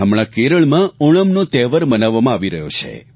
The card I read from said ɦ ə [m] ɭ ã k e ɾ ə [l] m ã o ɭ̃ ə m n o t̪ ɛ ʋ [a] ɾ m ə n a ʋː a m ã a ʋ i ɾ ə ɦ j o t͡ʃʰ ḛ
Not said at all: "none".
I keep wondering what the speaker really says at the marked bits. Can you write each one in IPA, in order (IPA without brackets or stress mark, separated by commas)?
m, ɭ, ə